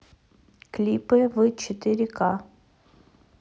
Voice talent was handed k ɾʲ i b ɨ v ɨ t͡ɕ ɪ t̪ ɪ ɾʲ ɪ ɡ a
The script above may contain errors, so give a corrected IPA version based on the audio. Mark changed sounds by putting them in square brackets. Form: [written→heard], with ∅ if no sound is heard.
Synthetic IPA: k [ɾʲ→lʲ] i [b→p] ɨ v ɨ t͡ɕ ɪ t̪ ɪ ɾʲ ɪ [ɡ→k] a